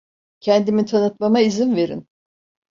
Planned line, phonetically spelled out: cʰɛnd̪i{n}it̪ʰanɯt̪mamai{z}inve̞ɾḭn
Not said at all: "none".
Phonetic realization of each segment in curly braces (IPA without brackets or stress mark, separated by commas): m, z